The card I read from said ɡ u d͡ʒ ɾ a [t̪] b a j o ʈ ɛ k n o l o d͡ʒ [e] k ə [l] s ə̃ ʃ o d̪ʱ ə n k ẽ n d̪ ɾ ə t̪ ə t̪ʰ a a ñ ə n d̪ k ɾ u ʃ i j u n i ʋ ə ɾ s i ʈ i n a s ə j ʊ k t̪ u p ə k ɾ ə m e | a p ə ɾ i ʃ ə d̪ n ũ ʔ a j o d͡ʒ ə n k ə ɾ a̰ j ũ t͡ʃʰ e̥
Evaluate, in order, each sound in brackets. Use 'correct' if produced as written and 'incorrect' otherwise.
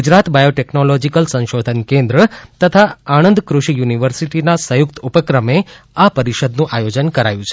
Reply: correct, incorrect: i, correct

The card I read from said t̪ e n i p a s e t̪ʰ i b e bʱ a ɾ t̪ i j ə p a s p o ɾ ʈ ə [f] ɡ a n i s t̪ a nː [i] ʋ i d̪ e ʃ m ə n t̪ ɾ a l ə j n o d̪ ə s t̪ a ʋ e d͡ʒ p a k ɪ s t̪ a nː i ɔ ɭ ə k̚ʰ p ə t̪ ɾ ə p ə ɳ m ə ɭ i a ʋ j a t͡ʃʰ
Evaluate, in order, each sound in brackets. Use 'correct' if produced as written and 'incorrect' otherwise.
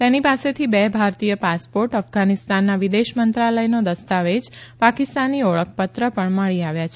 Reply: correct, incorrect: a

